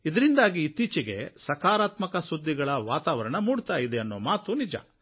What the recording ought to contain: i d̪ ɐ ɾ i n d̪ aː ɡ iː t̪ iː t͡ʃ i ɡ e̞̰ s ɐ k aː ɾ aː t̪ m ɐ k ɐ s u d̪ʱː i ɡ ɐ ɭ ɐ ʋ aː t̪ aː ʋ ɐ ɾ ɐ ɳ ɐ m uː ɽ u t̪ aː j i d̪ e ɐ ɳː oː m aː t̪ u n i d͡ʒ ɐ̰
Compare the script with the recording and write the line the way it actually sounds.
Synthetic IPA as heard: i d̪ ɐ ɾ i n d̪ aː ɡ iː t̪ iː t͡ʃ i ɡ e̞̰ s ɐ k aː ɾ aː t̪ m ɐ k ɐ s u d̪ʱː i ɡ ɐ ɭ ɐ ʋ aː t̪ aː ʋ ɐ ɾ ɐ ɳ ɐ m uː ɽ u t̪ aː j i d̪ e ɐ nː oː m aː t̪ u n i d͡ʒ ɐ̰